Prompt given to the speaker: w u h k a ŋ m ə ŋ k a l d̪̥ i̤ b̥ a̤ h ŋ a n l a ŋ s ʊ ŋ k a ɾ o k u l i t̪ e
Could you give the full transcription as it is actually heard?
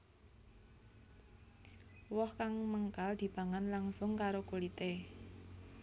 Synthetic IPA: w ɔ h k a ŋ m ə ŋ k a l d̪̥ i̤ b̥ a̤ ŋ a n l a ŋ s ʊ ŋ k a ɾ o k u l i t̪ e